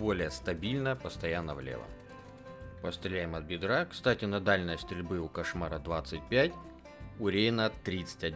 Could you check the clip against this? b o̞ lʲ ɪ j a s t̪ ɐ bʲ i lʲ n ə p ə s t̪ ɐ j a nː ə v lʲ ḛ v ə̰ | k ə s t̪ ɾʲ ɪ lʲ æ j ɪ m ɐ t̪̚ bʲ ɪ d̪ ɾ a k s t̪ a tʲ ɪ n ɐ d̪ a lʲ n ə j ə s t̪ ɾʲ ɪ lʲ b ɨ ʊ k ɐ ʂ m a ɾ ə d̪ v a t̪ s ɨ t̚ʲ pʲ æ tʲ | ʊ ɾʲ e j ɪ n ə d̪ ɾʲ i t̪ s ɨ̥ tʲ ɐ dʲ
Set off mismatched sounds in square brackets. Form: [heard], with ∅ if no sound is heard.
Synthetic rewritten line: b o̞ lʲ ɪ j [ə] s t̪ ɐ bʲ i lʲ n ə p ə s t̪ ɐ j a nː ə v lʲ ḛ v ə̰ | [p] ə s t̪ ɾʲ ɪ lʲ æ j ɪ m ɐ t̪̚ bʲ ɪ d̪ ɾ a k s t̪ a tʲ ɪ n ɐ d̪ a lʲ n ə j ə s t̪ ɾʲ ɪ lʲ b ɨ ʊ k ɐ ʂ m a ɾ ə d̪ v a t̪ s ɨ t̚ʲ pʲ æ tʲ | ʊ ɾʲ e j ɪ n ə [t̪] ɾʲ i t̪ s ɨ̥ tʲ ɐ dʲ